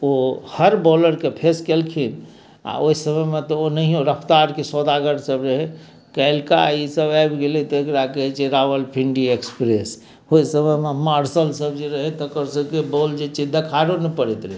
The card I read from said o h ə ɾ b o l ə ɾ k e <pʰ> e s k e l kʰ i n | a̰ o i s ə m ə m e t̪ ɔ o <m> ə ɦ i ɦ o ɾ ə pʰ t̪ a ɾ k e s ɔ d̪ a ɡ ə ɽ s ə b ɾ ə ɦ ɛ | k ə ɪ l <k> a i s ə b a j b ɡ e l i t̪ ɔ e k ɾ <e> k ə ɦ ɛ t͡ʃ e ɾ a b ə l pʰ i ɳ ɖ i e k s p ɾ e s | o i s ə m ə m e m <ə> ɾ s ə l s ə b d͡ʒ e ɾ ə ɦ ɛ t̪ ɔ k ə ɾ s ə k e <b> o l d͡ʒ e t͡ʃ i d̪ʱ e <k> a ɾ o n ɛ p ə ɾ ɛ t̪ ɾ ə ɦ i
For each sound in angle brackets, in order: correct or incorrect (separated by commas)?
correct, incorrect, correct, incorrect, incorrect, correct, incorrect